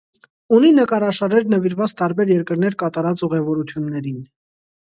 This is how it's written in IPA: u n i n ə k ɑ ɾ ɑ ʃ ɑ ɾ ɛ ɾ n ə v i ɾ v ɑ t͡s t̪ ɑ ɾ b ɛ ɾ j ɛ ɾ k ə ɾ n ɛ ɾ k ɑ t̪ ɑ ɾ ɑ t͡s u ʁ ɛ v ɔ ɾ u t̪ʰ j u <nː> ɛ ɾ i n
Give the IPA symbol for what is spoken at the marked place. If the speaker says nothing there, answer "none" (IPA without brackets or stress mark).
nː